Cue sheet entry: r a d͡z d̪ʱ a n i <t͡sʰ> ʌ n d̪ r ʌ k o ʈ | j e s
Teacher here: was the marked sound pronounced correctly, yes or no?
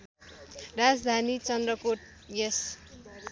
no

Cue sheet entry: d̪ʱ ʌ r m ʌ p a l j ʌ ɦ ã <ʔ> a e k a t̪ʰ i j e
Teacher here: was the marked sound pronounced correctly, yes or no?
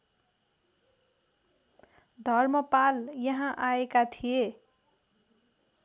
yes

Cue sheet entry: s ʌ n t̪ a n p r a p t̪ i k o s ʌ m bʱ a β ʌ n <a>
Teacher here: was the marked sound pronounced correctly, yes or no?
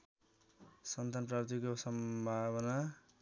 yes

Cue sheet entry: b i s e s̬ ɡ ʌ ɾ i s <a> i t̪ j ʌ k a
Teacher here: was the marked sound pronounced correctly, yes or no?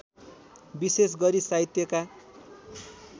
yes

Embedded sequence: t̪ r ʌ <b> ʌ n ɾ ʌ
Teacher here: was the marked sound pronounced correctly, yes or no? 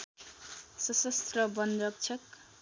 yes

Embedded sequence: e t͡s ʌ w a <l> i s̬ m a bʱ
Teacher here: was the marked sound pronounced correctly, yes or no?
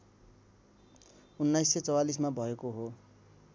yes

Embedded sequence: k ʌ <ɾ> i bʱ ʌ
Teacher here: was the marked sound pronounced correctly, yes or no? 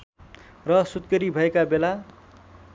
yes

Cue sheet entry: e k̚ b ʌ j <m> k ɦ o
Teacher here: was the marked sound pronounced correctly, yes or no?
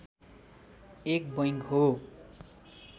no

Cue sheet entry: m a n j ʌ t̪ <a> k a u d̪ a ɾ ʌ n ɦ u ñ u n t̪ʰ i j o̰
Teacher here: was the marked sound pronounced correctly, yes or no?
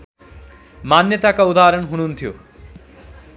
yes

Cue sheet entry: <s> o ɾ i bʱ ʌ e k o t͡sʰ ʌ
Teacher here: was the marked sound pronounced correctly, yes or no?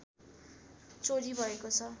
no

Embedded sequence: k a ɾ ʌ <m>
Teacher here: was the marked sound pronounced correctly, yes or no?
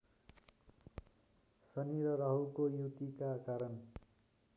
no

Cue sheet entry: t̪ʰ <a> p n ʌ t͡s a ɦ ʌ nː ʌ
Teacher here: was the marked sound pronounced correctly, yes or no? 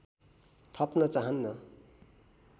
no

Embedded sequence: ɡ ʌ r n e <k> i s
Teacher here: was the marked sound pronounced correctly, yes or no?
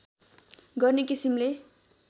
yes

